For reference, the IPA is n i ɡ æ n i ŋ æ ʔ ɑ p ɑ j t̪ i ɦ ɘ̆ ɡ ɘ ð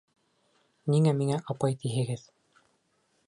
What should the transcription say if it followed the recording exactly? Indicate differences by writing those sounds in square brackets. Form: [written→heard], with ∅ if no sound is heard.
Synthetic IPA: n i [ɡ→ŋ] æ [n→m] i ŋ æ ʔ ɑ p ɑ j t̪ i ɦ ɘ̆ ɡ ɘ ð